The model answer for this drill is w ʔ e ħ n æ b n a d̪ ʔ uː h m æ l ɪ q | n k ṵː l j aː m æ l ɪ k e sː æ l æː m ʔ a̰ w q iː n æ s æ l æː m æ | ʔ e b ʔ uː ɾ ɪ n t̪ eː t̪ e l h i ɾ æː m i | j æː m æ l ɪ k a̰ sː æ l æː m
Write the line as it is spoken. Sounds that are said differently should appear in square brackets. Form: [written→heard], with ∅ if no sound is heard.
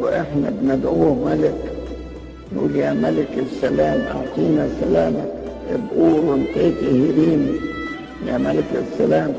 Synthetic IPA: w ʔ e ħ n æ b n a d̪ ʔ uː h m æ l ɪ [q→k] | n [k→ʔ] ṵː l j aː m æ l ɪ k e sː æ l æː m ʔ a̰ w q iː n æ s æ l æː m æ | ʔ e b ʔ uː ɾ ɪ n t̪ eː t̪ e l h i ɾ [æː→iː] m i | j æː m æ l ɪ k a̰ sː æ l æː m